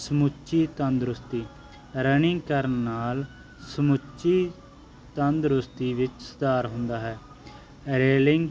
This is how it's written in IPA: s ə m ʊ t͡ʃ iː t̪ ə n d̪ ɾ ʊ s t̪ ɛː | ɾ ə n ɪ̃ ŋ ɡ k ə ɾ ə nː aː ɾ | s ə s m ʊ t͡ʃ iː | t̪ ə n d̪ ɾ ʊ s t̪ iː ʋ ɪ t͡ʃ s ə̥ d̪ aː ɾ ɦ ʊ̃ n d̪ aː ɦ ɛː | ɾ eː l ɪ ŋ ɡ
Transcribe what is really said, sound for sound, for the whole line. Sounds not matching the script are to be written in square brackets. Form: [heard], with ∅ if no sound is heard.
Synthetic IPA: s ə m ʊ t͡ʃ iː t̪ ə n d̪ ɾ ʊ s t̪ [iː] | ɾ ə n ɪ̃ ŋ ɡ k ə ɾ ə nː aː [l] | s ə [∅] m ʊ t͡ʃ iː | t̪ ə n d̪ ɾ ʊ s t̪ iː ʋ ɪ t͡ʃ s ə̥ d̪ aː ɾ ɦ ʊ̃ n d̪ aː ɦ ɛː | ɾ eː l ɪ ŋ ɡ